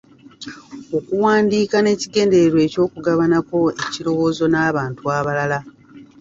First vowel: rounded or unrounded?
rounded